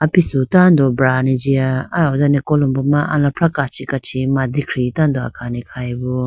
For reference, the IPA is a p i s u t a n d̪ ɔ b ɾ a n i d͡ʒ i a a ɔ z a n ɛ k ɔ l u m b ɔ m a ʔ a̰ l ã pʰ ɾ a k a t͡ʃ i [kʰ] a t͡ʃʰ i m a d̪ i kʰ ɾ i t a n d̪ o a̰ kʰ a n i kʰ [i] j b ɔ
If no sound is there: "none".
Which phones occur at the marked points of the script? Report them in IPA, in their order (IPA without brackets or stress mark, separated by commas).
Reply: k, a